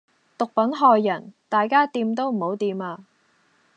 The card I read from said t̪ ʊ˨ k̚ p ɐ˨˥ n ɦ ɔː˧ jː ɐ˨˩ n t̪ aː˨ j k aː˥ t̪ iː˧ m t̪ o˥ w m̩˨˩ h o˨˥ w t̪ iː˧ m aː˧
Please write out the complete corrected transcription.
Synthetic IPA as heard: t̪ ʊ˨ k̚ p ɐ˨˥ n ɦ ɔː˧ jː ɐ˨˩ n t̪ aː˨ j k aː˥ t̪ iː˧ m t̪ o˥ w m̩˨˩ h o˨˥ w t̪ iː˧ m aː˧